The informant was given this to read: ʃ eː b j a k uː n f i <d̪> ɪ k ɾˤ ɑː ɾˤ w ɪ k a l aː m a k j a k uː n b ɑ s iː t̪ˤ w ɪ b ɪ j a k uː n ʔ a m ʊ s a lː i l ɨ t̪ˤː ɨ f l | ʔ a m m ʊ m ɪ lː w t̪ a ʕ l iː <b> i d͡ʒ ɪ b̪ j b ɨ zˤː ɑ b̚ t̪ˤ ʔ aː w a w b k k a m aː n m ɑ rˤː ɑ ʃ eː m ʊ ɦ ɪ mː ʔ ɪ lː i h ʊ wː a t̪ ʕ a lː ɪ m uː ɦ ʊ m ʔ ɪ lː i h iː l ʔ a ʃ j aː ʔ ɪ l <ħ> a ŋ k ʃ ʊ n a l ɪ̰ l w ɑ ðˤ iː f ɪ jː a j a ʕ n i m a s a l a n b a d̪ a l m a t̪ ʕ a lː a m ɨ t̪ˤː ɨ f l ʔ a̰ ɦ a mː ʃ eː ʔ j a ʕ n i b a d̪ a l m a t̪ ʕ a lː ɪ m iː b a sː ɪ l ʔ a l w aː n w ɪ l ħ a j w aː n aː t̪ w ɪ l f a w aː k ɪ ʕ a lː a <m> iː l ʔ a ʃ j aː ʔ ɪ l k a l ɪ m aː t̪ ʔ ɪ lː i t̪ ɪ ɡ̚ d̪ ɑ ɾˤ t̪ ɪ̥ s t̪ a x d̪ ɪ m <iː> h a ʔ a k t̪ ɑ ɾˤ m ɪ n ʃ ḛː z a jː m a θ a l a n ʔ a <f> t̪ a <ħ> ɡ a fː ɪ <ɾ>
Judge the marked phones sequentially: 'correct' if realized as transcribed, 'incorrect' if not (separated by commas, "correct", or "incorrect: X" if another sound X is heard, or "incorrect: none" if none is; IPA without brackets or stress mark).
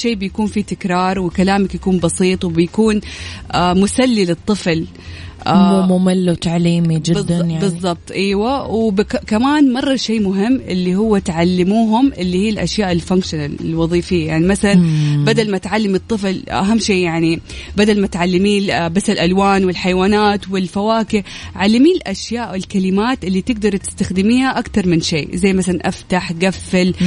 incorrect: t̪, incorrect: m, incorrect: f, correct, correct, correct, correct, incorrect: l